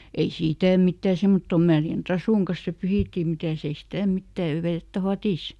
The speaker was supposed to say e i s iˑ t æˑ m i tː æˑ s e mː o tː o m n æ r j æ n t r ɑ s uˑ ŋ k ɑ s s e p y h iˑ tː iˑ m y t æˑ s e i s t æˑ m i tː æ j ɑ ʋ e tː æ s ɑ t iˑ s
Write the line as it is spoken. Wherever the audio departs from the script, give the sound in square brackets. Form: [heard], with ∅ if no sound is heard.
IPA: e i s iˑ t æˑ m i tː æˑ s e mː o tː o m [m] æ r j æ n t r ɑ s uˑ ŋ k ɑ s s e p y h iˑ tː iˑ m [i] t æˑ s e i s t æˑ m i tː æ j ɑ ʋ e tː æ [f] ɑ t iˑ s